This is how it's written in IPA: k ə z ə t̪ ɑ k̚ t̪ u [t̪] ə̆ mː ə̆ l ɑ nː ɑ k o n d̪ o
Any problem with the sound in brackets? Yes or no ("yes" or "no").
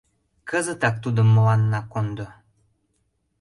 yes